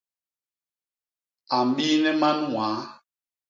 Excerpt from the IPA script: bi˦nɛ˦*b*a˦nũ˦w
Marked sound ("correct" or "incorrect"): incorrect